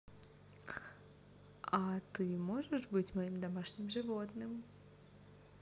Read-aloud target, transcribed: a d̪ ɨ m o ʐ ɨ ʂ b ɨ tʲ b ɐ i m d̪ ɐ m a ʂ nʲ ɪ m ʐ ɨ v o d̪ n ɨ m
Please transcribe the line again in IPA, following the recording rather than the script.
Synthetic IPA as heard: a t̪ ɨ m o ʐ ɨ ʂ b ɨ tʲ m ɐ i m d̪ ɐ m a ʂ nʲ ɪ m ʐ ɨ v o t̪ n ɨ m